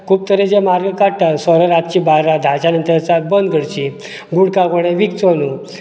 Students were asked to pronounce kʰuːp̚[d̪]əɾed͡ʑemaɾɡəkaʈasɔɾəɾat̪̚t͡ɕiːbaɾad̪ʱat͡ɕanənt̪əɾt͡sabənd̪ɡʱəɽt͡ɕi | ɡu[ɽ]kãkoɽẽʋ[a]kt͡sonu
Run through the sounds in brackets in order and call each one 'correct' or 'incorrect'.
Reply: incorrect: t̪, correct, incorrect: i

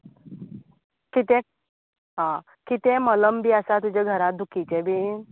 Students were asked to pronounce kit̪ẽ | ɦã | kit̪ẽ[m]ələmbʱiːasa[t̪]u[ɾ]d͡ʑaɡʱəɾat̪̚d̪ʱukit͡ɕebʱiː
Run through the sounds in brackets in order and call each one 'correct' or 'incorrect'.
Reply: correct, correct, incorrect: none

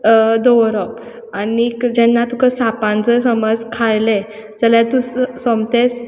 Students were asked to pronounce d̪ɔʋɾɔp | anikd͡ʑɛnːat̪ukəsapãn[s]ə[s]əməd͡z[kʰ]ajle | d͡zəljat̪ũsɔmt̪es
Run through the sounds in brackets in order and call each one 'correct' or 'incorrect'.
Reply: incorrect: t͡s, correct, correct

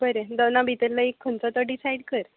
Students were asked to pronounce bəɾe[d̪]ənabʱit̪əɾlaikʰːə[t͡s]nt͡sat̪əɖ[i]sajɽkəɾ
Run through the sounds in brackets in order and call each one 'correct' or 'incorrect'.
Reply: correct, incorrect: none, correct

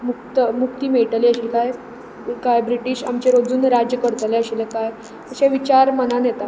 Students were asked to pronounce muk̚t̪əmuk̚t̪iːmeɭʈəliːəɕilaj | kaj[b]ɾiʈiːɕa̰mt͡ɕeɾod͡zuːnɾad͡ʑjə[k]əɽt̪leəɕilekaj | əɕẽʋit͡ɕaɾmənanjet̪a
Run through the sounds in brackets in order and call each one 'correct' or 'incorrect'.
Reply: correct, correct

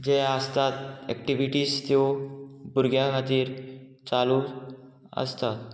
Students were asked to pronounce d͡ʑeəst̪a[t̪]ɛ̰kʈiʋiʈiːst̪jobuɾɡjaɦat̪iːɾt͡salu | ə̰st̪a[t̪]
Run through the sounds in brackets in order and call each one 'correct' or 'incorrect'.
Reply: correct, correct

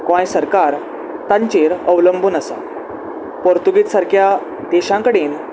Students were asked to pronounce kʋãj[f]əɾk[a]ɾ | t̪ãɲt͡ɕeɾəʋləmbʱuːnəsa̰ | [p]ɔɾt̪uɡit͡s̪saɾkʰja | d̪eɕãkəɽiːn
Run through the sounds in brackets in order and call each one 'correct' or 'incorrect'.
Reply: incorrect: s, correct, correct

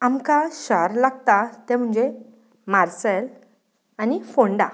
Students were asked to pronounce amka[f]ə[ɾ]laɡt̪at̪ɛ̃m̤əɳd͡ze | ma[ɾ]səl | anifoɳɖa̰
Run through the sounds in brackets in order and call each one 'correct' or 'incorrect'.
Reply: incorrect: ɕ, correct, correct

